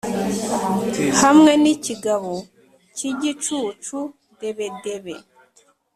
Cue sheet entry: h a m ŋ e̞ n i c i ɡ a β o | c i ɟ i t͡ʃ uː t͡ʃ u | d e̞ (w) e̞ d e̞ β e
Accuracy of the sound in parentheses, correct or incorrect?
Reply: incorrect